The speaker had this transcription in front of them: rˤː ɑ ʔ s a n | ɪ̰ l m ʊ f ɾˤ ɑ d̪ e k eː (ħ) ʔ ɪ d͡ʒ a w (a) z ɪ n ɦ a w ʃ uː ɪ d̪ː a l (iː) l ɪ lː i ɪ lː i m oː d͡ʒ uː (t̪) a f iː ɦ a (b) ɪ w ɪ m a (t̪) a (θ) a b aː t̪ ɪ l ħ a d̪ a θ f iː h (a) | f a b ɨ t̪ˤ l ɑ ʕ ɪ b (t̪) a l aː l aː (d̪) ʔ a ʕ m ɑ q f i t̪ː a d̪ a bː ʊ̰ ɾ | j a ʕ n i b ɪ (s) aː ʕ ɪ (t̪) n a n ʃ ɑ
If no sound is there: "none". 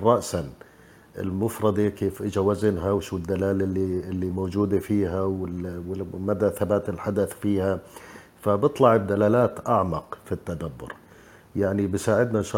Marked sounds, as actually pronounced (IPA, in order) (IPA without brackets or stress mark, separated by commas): f, a, aː, d̪, w, d̪, θ, a, d̪, t̪, s, d̪